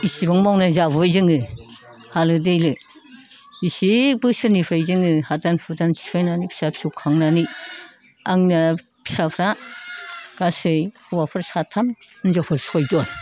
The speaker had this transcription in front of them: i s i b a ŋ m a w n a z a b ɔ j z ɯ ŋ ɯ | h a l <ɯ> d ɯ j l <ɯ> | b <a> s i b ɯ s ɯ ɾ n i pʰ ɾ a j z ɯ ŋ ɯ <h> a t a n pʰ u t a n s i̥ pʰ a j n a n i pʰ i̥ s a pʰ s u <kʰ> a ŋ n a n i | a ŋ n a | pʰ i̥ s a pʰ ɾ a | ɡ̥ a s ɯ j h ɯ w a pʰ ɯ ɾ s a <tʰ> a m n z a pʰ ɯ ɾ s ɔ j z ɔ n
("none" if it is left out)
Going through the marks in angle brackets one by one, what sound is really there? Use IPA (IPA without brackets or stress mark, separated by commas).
ɯ, ɯ, i, h, kʰ, tʰ